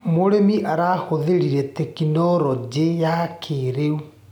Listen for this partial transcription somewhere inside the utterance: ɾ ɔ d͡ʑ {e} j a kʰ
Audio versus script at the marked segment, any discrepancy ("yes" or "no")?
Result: no